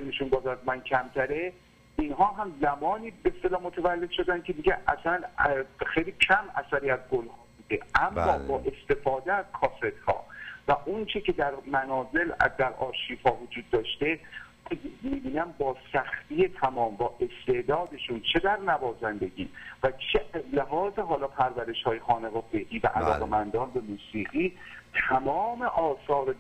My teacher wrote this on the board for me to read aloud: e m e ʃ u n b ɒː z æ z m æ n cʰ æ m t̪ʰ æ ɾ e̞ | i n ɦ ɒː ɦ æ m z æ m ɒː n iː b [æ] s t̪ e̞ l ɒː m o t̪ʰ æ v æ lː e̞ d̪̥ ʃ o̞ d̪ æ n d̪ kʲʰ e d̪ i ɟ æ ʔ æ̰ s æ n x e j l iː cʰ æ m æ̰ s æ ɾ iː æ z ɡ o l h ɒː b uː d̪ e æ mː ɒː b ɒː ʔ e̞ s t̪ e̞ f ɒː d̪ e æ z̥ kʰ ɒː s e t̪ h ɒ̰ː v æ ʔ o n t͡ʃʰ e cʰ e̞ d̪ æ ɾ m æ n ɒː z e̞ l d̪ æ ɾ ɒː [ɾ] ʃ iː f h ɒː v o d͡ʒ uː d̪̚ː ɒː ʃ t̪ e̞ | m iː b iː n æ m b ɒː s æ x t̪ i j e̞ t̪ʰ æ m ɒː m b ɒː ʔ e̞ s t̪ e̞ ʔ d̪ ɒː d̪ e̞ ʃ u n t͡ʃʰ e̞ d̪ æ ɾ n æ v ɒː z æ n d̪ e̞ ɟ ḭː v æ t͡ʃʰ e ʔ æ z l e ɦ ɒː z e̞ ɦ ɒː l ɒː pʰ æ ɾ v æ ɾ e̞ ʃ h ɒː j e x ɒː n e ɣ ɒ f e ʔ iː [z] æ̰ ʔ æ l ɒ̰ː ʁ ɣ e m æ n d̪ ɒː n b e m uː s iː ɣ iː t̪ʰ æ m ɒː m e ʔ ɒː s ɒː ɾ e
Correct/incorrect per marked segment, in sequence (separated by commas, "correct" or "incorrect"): incorrect, correct, incorrect